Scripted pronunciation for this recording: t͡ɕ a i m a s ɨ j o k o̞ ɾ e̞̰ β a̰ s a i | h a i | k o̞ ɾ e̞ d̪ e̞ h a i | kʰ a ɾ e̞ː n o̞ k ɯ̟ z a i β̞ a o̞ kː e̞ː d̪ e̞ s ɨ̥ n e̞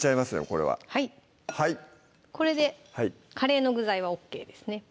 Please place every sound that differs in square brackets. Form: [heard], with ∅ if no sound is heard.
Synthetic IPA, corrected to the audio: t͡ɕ a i m a s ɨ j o k o̞ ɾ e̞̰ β a̰ [h] a i | h a i | k o̞ ɾ e̞ d̪ e̞ h a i | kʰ a ɾ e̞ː n o̞ [ɡ] ɯ̟ z a i β̞ a o̞ kː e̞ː d̪ e̞ s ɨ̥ n e̞